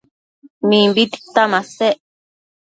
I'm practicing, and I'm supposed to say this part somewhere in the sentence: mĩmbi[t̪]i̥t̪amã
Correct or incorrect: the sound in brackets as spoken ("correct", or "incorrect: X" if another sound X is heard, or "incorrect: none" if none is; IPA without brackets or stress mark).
correct